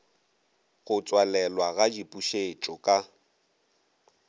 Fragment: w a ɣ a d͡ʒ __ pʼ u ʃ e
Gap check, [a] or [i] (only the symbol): i